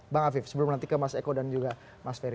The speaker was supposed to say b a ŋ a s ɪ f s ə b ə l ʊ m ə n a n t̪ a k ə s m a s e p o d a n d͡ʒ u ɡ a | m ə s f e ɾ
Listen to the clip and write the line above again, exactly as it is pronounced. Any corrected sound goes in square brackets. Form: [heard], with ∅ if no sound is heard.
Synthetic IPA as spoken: b a ŋ a [f] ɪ f s ə b ə l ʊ m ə n a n t̪ [i] k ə [∅] m a s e [k] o d a n d͡ʒ u ɡ a | m [a] s f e ɾ